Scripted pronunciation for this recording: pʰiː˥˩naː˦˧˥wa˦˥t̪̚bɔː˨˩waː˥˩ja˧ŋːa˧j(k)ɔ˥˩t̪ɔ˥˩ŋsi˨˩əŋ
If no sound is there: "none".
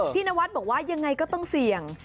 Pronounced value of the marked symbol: k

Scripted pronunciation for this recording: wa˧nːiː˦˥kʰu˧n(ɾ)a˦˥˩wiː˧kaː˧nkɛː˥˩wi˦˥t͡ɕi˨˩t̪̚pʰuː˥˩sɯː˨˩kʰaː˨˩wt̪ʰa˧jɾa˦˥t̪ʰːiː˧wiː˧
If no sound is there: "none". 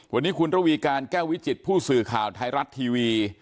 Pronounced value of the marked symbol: ɾ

